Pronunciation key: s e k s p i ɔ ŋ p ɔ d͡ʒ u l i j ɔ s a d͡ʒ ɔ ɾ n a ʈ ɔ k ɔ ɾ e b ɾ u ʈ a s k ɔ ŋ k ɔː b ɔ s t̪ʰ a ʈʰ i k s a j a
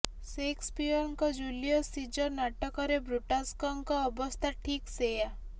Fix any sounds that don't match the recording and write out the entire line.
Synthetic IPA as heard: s e k s p i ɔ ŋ k ɔ d͡ʒ u l i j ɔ s i d͡ʒ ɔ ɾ n a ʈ ɔ k ɔ ɾ e b ɾ u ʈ a s k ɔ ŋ k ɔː b ɔ s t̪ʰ a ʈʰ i k s e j a